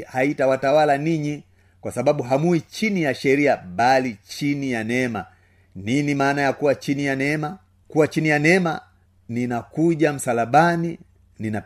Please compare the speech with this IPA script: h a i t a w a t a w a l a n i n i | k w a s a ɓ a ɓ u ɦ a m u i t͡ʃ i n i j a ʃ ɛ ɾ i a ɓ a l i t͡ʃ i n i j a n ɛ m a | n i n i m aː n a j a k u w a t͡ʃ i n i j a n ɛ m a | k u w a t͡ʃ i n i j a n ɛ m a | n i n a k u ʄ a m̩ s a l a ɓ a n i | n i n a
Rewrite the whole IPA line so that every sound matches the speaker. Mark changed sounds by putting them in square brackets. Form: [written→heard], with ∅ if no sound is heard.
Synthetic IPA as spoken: h a i t a w a t a w a l a n i [n→ɲ] i | k w a s a ɓ a ɓ u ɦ a m u i t͡ʃ i n i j a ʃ ɛ ɾ i a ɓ a l i t͡ʃ i n i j a n ɛ m a | n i n i m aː n a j a k u w a t͡ʃ i n i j a n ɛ m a | k u w a t͡ʃ i n i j a n ɛ m a | n i n a k u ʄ a m̩ s a l a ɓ a n i | n i n a